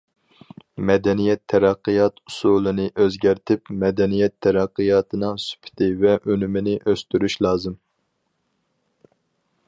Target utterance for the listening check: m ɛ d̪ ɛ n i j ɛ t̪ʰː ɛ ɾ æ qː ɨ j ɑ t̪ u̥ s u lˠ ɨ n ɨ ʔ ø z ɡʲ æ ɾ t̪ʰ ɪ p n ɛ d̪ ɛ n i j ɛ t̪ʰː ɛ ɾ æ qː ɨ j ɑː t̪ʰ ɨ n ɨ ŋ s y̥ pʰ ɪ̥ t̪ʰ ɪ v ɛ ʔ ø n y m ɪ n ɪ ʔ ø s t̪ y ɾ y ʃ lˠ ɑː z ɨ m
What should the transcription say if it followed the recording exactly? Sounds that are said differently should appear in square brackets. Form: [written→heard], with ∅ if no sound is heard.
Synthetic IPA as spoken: m ɛ d̪ ɛ n i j ɛ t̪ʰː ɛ ɾ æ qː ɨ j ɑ t̪ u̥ s u lˠ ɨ n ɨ ʔ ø z ɡʲ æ ɾ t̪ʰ ɪ p [n→m] ɛ d̪ ɛ n i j ɛ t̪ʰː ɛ ɾ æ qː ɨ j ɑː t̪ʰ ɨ n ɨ ŋ s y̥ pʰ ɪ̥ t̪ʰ ɪ v ɛ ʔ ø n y m ɪ n ɪ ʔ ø s t̪ y ɾ y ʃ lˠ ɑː z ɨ m